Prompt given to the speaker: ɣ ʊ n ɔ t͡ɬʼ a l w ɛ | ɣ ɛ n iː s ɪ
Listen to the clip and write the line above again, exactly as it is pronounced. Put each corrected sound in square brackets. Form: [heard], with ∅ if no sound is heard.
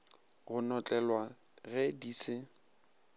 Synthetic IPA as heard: ɣ ʊ n ɔ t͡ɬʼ [ɛ] l w [a] | ɣ ɛ [d] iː s ɪ